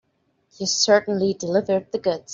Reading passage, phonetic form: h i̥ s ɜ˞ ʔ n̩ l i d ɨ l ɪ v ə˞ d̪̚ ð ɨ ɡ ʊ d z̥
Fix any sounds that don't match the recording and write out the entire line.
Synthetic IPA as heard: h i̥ s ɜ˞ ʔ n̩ l i d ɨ l ɪ v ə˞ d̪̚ ð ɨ ɡ ʊ d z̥

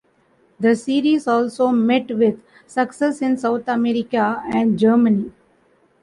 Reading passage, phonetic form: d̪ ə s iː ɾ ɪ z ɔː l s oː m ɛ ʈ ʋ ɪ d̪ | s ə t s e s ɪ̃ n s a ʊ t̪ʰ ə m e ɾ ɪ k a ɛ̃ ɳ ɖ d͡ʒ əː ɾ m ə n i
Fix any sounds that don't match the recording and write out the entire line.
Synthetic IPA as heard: d̪ ə s iː ɾ i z ɔː l s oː m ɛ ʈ ʋ ɪ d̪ | s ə k s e s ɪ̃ n s a ʊ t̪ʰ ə m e ɾ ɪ k a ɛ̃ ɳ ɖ d͡ʒ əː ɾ m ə n i

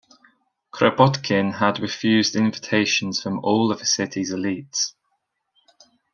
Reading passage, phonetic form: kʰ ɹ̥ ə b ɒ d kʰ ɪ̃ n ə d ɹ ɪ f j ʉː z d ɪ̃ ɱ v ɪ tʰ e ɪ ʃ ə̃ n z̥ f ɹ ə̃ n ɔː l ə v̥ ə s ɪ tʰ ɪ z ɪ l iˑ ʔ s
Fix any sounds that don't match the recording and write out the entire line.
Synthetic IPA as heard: kʰ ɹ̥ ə b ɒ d kʰ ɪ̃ n ə d ɹ ɪ f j ʉː z d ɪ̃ ɱ v ɪ tʰ e ɪ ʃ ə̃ n z̥ f ɹ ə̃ m ɔː l ə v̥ ə s ɪ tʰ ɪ z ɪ l iˑ t s

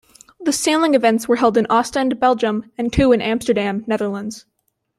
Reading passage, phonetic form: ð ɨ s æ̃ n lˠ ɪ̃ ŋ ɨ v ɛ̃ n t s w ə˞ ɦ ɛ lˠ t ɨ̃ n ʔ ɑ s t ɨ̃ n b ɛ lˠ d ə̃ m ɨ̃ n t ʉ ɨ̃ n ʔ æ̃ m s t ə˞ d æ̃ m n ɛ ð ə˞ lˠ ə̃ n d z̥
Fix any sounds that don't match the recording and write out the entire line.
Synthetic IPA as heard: ð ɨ s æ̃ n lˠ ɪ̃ ŋ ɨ v ɛ̃ n t s w ə˞ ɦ ɛ lˠ d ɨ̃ n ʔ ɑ s t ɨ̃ n b ɛ lˠ d͡ʒ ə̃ m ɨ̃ n tʰ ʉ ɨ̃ n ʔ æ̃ m s t ə˞ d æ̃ m n ɛ ð ə˞ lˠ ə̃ n d z̥

